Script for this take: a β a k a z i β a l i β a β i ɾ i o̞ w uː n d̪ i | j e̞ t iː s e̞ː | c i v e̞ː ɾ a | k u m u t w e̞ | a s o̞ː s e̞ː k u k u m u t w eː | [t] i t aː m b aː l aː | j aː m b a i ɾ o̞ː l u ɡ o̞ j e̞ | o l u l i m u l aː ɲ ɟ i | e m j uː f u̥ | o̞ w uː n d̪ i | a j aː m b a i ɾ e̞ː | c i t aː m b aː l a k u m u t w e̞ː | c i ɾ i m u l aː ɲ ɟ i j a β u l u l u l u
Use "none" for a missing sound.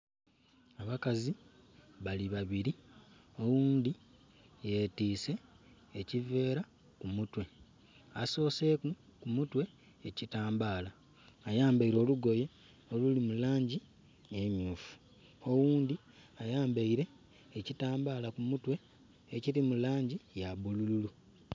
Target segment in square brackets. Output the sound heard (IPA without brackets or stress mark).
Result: c